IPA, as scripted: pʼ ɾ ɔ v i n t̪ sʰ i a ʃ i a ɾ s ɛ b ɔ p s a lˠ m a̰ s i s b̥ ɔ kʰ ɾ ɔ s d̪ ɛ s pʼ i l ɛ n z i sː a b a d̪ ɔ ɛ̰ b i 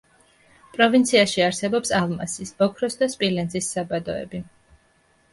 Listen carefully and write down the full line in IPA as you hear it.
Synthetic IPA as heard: pʼ ɾ ɔ v i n t̪ sʰ i a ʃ i a ɾ s ɛ b ɔ p s a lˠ m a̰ s i s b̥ ɔ kʰ ɾ ɔ s d̪ a s pʼ i l ɛ n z i sː a b a d̪ ɔ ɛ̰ b i